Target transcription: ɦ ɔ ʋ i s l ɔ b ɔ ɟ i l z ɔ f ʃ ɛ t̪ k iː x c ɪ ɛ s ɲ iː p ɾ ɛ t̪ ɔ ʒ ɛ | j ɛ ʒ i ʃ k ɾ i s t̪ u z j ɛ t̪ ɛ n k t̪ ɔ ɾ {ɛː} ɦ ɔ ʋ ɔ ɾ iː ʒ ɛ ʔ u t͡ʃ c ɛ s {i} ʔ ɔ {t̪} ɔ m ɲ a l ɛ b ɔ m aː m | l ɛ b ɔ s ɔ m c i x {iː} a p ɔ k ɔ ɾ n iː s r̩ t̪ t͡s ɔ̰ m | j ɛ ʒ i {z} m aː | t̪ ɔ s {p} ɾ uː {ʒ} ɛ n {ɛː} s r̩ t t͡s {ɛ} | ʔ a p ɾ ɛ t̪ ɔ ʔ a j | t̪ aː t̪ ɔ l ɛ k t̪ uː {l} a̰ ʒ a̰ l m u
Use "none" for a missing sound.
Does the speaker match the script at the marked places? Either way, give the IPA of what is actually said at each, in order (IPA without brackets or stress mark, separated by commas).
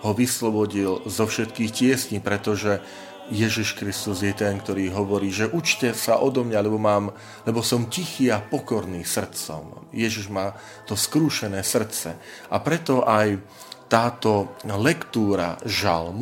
iː, a, d̪, iː, ʒ, k, ʃ, ɛː, ɛ, ɾ